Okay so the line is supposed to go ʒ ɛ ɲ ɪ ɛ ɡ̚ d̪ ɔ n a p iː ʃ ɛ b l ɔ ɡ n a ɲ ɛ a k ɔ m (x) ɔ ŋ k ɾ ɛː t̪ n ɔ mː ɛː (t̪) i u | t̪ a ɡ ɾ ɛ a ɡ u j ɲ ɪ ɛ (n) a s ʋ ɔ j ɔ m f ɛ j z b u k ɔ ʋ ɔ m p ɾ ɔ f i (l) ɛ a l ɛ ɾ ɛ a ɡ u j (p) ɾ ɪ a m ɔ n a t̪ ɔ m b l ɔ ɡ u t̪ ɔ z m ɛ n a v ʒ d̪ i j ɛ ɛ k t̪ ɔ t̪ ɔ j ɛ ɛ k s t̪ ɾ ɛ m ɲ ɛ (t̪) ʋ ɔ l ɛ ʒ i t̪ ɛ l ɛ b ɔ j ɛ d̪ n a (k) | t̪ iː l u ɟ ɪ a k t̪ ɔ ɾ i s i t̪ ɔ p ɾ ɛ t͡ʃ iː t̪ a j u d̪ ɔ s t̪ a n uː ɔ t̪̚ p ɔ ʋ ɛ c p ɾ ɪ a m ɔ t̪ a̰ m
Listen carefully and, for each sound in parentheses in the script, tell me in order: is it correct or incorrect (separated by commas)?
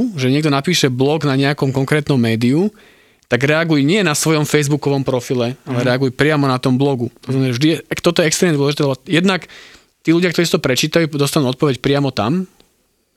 incorrect, incorrect, correct, correct, correct, incorrect, correct